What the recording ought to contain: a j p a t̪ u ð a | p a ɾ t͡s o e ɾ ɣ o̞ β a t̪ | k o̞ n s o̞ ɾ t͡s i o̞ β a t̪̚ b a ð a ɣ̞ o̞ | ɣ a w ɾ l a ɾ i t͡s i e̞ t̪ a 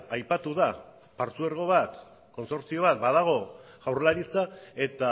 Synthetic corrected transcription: a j p a t̪ u ð a | p a ɾ t͡s u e ɾ ɣ o̞ β a t̪ | k o̞ n s o̞ ɾ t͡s i o̞ β a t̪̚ b a ð a ɣ̞ o̞ | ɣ a w ɾ l a ɾ i t͡s a e̞ t̪ a